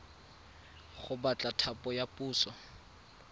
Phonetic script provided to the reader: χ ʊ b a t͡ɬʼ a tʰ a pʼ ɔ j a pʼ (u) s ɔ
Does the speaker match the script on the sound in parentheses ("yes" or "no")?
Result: no